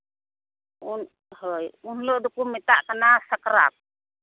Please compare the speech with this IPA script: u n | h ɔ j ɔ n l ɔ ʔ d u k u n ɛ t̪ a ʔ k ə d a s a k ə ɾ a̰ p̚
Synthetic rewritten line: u n | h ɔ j u n l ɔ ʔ d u k u m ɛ t̪ a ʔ k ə n a s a k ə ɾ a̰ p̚